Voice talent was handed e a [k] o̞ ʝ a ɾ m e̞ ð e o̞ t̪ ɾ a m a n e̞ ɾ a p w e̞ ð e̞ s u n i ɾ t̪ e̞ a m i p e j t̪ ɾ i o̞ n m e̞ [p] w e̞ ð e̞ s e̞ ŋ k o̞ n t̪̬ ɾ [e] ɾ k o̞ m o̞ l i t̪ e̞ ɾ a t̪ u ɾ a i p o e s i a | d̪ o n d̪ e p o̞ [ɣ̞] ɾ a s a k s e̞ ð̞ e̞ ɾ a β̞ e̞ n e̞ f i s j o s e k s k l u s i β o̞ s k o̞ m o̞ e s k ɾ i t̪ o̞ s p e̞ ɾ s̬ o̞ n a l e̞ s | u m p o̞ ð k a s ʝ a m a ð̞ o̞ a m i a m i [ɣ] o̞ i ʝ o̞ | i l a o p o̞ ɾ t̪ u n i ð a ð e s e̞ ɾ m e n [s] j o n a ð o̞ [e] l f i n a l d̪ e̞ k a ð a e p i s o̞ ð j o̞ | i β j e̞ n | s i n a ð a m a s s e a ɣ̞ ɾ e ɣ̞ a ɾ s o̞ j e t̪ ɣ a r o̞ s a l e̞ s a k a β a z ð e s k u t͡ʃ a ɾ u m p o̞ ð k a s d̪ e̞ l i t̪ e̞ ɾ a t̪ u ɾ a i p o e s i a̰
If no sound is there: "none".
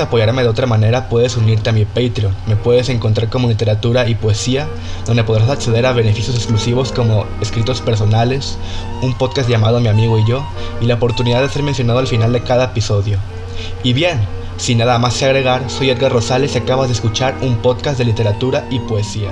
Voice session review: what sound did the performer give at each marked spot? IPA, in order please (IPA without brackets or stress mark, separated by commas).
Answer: p, p, a, ð̞, ɣ, s, a